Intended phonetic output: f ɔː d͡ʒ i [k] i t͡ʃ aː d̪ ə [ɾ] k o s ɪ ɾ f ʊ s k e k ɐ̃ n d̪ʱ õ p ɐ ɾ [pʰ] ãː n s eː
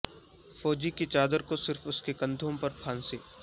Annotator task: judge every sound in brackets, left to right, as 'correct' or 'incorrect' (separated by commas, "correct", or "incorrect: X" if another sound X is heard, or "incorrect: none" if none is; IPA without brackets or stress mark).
correct, correct, correct